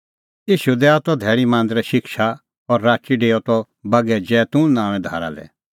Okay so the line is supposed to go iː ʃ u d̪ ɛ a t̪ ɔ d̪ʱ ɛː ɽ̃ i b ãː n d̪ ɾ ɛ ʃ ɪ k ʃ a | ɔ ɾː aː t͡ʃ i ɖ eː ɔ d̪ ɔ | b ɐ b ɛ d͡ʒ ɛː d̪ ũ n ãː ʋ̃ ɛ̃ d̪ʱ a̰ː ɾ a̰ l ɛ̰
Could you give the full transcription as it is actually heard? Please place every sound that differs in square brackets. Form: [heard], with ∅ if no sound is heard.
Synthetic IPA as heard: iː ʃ u d̪ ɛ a t̪ ɔ d̪ʱ ɛː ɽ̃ i [m] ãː n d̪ ɾ ɛ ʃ ɪ k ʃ a | ɔ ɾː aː t͡ʃ i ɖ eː ɔ [t̪] ɔ | b ɐ [ɡ] ɛ d͡ʒ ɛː [t̪] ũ n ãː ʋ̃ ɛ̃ d̪ʱ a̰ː ɾ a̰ l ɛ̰